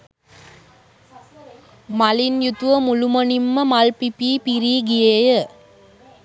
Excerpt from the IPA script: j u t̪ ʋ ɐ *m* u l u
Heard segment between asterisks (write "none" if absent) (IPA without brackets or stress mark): m